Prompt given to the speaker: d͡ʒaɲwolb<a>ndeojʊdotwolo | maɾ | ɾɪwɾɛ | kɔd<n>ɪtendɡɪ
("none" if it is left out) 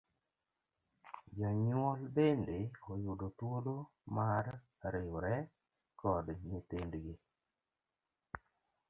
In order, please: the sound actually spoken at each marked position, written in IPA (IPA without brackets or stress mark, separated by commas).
e, ɲ